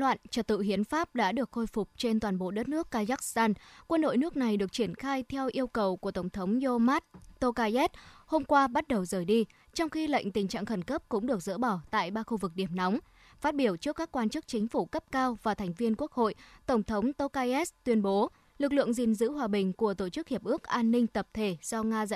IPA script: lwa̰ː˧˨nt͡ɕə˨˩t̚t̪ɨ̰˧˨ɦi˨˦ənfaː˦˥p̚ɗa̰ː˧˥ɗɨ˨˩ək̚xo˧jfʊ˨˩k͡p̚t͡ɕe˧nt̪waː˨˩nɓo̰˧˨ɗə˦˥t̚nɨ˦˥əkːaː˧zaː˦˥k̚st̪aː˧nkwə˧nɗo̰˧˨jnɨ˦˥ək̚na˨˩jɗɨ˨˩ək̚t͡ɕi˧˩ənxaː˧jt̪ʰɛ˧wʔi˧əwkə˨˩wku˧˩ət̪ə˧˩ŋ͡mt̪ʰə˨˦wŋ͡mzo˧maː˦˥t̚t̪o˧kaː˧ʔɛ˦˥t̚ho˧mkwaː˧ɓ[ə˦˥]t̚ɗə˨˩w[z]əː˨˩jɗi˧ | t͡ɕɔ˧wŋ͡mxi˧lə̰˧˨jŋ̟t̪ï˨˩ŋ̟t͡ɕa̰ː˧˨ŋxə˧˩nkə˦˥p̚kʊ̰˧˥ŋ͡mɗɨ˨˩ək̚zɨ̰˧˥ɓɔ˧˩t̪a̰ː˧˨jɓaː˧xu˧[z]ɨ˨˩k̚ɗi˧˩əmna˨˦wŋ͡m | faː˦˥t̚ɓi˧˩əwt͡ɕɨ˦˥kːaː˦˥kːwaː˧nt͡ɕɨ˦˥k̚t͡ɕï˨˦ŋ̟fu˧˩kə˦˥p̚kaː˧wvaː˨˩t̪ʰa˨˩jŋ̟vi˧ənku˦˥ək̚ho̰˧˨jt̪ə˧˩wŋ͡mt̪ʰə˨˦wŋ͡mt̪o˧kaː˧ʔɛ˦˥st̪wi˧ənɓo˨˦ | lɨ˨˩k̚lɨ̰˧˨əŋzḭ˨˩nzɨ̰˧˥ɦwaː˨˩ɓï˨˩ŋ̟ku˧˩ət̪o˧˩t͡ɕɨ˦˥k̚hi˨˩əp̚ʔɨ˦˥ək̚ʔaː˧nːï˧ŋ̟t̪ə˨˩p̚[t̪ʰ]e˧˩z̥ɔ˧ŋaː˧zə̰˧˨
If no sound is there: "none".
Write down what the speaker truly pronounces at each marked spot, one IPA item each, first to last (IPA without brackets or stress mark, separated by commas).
a˦˥, z, v, t̪ʰ